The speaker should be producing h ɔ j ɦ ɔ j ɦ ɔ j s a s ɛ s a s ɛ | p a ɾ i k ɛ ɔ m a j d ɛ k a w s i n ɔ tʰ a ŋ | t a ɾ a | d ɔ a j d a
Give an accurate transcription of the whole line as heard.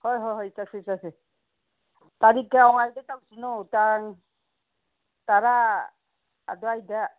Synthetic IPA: h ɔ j ɦ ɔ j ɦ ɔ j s a s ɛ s a s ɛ | t a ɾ i k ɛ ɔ ŋ a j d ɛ t a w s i n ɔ t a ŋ | t a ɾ a | d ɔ a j d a